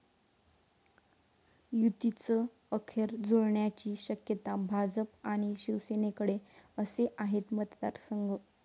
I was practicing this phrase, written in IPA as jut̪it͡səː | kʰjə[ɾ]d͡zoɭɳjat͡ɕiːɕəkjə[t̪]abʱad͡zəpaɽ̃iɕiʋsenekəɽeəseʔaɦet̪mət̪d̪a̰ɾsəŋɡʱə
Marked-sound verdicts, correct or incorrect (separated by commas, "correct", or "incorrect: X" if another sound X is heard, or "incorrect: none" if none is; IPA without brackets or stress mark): correct, correct